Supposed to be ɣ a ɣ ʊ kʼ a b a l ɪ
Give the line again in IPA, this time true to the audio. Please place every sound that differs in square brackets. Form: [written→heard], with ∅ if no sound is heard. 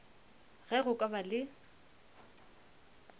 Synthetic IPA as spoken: ɣ [a→ɛ] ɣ ʊ kʼ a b a l ɪ